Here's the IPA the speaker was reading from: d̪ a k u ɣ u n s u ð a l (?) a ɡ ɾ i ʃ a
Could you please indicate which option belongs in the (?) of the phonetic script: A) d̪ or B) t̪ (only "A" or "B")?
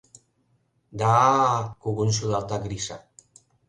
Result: B